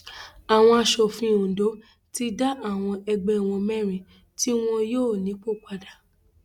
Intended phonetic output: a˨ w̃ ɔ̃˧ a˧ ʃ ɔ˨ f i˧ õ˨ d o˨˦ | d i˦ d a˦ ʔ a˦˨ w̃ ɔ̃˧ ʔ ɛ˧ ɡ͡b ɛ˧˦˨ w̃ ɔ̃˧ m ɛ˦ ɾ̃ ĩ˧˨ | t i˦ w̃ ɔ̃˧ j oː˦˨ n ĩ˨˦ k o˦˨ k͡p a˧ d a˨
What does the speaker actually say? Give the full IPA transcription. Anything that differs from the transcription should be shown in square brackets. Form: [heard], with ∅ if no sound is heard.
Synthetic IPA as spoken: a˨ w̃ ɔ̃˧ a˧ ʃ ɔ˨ f [ĩ˧] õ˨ d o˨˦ | [t] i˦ d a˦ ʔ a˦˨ w̃ ɔ̃˧ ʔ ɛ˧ ɡ͡b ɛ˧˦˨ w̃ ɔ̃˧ m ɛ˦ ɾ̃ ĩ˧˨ | t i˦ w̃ ɔ̃˧ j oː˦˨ n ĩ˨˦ [k͡p] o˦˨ k͡p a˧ d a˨